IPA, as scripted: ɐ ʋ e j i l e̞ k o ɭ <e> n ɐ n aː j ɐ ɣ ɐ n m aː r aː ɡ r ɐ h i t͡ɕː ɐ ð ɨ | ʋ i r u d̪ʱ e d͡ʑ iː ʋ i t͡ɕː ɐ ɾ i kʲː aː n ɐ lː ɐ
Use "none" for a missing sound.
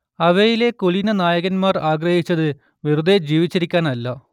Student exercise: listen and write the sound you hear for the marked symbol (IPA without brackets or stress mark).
i